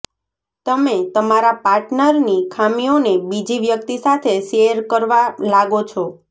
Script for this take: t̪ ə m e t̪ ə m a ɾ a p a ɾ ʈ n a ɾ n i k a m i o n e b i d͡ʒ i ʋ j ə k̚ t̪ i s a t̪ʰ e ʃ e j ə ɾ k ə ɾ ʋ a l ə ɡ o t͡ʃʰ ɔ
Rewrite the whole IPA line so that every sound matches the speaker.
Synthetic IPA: t̪ ə m e t̪ ə m a ɾ a p a ɾ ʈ n ə ɾ n i kʰ a m i o n e b i d͡ʒ i ʋ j ə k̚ t̪ i s a t̪ʰ e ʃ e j ə ɾ k ə ɾ ʋ a l a ɡ o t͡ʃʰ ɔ